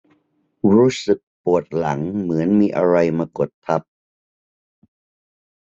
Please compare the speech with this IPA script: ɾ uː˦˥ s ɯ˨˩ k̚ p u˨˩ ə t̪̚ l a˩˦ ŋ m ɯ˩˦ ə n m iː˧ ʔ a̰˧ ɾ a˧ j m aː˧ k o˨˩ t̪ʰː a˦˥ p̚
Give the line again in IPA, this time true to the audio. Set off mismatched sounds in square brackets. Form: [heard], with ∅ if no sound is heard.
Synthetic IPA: ɾ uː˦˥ s ɯ˨˩ k̚ p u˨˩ ə t̪̚ l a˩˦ ŋ m ɯ˩˦ ə n m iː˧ ʔ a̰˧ ɾ a˧ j m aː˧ k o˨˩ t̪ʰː a˦˥ p̚